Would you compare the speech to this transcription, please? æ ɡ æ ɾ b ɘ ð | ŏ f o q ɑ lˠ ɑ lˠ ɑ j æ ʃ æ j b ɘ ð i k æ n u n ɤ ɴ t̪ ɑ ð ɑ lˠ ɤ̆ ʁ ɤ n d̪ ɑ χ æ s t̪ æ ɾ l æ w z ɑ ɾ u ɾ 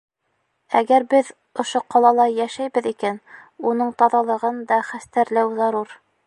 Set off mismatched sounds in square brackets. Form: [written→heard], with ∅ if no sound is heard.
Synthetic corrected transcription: æ ɡ æ ɾ b ɘ ð | ŏ [f→ʃ] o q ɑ lˠ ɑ lˠ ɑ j æ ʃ æ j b ɘ ð i k æ n u n ɤ ɴ t̪ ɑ ð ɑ lˠ ɤ̆ ʁ ɤ n d̪ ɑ χ æ s t̪ æ ɾ l æ w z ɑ ɾ u ɾ

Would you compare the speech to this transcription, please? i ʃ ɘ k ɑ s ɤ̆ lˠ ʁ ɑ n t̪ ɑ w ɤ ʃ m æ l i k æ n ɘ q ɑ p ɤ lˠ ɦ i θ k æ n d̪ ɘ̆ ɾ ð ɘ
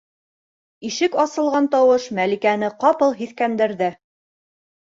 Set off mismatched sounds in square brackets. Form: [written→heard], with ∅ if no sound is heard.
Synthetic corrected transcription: i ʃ ɘ k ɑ s ɤ̆ lˠ ʁ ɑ n t̪ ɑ w ɤ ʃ m æ l i k æ n ɘ q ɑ p ɤ lˠ ɦ i θ k æ n d̪ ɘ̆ ɾ ð ɘ

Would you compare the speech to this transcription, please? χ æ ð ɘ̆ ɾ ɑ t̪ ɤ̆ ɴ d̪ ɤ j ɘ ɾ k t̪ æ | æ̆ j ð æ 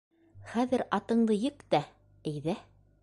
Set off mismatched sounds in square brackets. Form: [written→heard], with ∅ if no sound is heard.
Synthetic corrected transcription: χ æ ð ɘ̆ ɾ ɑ t̪ ɤ̆ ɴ d̪ ɤ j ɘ [ɾ→∅] k t̪ æ | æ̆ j ð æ

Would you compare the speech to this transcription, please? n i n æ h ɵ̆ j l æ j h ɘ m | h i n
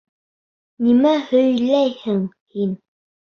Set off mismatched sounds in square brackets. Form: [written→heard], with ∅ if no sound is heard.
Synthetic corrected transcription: n i [n→m] æ h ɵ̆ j l æ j h ɘ [m→ŋ] | h i n

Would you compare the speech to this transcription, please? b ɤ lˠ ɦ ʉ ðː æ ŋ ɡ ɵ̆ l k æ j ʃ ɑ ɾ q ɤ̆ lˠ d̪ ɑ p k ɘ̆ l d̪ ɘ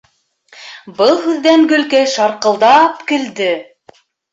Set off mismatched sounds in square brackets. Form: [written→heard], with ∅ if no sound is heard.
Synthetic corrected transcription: b ɤ lˠ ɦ ʉ ðː æ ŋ ɡ ɵ̆ l k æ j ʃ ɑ ɾ q ɤ̆ lˠ d̪ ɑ p k ɘ̆ l d̪ ɘ

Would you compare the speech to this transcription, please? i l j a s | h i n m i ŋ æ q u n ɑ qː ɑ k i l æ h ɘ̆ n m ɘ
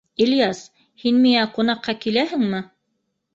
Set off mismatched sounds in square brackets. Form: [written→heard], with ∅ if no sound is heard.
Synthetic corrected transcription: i l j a s | h i n m i ŋ æ q u n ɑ qː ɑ k i l æ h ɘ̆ [n→ŋ] m ɘ

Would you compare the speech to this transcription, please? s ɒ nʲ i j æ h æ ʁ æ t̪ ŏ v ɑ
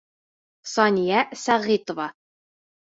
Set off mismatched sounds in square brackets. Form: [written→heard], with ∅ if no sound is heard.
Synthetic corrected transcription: s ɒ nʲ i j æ [h→s] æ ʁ [æ→i] t̪ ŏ v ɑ

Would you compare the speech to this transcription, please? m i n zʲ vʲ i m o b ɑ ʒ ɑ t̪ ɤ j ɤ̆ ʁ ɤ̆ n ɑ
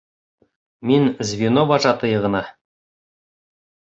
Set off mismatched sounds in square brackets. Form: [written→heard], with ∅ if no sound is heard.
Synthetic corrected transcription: m i n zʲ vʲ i [m→n] o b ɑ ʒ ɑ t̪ ɤ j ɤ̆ ʁ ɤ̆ n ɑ

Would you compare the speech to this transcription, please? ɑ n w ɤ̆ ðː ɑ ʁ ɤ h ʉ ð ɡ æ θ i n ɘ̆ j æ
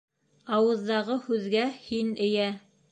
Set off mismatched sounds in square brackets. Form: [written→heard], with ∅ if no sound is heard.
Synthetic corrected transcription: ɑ [n→∅] w ɤ̆ ðː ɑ ʁ ɤ h ʉ ð ɡ æ [θ→h] i n ɘ̆ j æ

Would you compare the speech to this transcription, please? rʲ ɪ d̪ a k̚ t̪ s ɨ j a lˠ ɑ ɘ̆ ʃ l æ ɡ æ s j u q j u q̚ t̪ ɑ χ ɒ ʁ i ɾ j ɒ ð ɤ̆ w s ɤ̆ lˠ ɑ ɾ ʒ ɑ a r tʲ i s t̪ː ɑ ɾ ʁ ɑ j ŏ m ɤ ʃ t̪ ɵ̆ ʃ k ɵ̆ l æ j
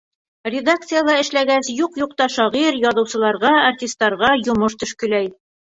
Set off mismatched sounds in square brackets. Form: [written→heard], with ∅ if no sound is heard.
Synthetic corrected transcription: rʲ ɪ d̪ a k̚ t̪ s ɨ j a lˠ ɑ ɘ̆ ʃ l æ ɡ æ s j u q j u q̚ t̪ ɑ [χ→ʃ] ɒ ʁ i ɾ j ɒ ð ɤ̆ w s ɤ̆ lˠ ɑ ɾ [ʒ→ʁ] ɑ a r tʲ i s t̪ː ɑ ɾ ʁ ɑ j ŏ m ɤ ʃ t̪ ɵ̆ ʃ k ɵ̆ l æ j

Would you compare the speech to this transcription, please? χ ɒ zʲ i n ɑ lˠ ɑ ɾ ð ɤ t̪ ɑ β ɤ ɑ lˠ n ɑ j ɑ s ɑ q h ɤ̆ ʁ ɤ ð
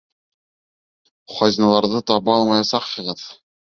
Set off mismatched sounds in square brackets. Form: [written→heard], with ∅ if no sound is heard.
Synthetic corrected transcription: χ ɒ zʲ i n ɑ lˠ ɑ ɾ ð ɤ t̪ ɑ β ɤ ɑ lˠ [n→m] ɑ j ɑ s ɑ q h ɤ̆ ʁ ɤ ð

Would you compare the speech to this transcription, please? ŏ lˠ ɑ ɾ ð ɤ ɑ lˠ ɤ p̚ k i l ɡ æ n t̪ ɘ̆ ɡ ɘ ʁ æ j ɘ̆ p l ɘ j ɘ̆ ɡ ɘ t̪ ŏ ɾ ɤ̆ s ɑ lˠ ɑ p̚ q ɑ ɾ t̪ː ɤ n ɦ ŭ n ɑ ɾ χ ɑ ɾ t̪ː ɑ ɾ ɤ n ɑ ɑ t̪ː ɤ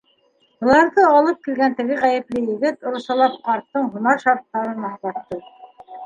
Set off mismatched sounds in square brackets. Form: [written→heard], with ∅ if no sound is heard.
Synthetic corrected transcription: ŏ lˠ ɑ ɾ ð ɤ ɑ lˠ ɤ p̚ k i l ɡ æ n t̪ ɘ̆ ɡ ɘ ʁ æ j ɘ̆ p l ɘ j ɘ̆ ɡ ɘ t̪ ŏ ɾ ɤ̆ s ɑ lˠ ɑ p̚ q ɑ ɾ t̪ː ɤ [n→ɴ] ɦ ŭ n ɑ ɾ [χ→ʃ] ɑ ɾ t̪ː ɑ ɾ ɤ n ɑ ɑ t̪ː ɤ

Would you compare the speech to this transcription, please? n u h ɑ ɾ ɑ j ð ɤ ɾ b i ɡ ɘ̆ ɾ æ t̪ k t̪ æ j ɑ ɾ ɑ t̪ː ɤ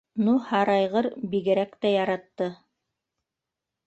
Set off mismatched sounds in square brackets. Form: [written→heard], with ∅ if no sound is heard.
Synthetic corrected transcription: n u h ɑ ɾ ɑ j [ð→ʁ] ɤ ɾ b i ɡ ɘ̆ ɾ æ [t̪→∅] k t̪ æ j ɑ ɾ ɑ t̪ː ɤ

